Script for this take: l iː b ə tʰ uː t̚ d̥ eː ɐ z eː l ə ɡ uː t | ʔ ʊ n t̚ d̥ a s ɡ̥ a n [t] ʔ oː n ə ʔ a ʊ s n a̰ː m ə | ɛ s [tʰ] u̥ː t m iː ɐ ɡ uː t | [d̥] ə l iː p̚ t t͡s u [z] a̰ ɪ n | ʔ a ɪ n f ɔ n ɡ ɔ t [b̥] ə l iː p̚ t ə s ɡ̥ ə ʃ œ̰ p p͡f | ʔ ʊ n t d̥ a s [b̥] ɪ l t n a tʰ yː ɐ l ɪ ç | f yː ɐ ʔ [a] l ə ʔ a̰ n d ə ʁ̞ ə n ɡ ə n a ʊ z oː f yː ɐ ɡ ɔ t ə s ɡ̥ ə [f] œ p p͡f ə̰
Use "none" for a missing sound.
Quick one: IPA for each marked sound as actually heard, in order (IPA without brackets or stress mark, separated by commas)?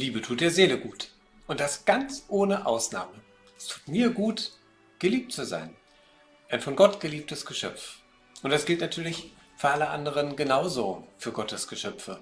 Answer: t͡s, tʰ, ɡ̥, z, ɡ̥, ɡ̥, a, ʃ